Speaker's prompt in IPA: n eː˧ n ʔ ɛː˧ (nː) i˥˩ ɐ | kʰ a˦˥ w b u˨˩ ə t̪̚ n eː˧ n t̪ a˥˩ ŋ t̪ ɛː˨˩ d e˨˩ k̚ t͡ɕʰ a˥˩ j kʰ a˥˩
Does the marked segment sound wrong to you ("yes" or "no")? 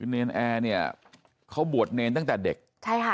yes